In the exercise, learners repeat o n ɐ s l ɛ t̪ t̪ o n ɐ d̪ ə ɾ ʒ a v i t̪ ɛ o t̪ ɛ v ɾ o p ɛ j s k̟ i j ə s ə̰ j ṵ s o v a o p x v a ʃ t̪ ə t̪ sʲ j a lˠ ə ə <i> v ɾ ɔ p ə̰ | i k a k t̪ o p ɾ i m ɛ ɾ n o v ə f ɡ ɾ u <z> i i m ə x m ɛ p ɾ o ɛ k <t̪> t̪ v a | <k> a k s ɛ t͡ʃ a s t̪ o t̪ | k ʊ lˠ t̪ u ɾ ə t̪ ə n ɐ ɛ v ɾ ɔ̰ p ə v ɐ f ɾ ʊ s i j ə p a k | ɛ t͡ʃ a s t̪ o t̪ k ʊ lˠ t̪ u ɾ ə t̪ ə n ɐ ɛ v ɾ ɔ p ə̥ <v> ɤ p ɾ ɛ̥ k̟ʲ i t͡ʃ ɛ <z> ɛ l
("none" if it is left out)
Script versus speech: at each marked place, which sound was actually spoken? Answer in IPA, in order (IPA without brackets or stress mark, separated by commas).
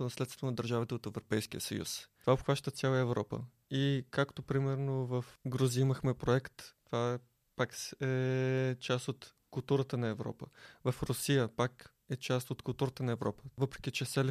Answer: ɛ, z, t̪, p, v, s